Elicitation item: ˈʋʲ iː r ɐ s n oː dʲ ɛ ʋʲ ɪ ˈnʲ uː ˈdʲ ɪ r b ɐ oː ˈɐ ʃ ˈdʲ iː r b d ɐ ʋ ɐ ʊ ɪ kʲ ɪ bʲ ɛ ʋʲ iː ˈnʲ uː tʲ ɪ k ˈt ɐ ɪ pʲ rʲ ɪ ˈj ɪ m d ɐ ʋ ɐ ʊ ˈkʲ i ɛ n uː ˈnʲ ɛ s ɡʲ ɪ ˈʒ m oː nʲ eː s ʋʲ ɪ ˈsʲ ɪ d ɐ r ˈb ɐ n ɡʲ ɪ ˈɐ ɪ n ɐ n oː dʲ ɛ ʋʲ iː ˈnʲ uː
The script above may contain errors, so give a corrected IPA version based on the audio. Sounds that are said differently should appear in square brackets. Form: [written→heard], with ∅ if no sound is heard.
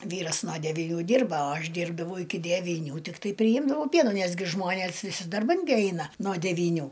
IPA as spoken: ˈʋʲ iː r ɐ s n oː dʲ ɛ ʋʲ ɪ ˈnʲ uː ˈdʲ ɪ r b ɐ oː ˈɐ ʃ ˈdʲ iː r b d ɐ ʋ ɐ ʊ ɪ kʲ ɪ [bʲ→dʲ] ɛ ʋʲ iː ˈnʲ uː tʲ ɪ k ˈt ɐ ɪ pʲ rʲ ɪ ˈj ɪ m d ɐ ʋ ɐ ʊ [ˈkʲ→ˈpʲ] i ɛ n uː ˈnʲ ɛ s ɡʲ ɪ ˈʒ m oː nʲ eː s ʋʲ ɪ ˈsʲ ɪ d ɐ r ˈb ɐ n ɡʲ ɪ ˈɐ ɪ n ɐ n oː dʲ ɛ ʋʲ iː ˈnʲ uː